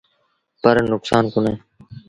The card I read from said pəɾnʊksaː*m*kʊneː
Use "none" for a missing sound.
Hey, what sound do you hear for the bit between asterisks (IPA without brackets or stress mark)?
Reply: n